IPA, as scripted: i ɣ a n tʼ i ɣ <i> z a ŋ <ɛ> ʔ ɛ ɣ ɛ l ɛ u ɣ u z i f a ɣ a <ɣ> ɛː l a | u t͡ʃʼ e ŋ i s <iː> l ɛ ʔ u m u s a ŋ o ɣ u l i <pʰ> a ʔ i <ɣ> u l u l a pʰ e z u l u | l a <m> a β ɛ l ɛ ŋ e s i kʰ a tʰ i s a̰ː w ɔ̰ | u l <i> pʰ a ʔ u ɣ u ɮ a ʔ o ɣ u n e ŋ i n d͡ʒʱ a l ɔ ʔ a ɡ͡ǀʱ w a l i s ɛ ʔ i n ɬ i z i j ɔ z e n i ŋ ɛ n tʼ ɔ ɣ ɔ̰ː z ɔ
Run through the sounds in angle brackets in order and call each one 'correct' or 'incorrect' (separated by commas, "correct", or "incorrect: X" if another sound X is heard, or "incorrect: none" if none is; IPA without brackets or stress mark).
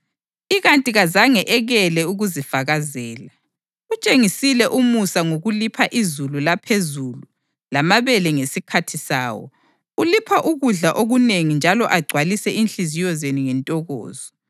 incorrect: a, correct, incorrect: z, incorrect: i, correct, incorrect: z, correct, correct